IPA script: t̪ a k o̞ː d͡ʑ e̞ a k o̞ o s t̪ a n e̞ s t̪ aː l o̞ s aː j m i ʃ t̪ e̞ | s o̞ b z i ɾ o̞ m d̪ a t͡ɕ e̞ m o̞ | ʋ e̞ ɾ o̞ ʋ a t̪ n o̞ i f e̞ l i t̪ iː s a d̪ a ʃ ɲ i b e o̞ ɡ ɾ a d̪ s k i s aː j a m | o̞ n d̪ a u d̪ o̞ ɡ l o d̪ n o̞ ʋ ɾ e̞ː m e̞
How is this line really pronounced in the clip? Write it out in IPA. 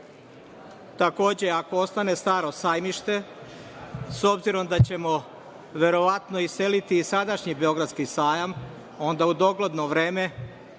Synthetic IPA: t̪ a k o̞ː d͡ʑ e̞ a k o̞ o s t̪ a n e̞ s t̪ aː ɾ o̞ s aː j m i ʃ t̪ e̞ | s o̞ b z i ɾ o̞ m d̪ a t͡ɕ e̞ m o̞ | ʋ e̞ ɾ o̞ ʋ a t̪ n o̞ i s e̞ l i t̪ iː s a d̪ a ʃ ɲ i b e o̞ ɡ ɾ a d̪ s k i s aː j a m | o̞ n d̪ a u d̪ o̞ ɡ l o d̪ n o̞ ʋ ɾ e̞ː m e̞